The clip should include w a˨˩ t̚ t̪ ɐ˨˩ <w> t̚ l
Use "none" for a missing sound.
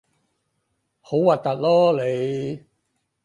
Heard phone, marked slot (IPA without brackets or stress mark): none